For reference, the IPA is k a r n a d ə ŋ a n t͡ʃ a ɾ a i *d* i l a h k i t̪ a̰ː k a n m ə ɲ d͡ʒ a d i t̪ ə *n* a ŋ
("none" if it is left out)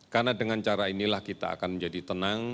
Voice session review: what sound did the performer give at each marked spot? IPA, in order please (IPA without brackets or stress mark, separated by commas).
n, n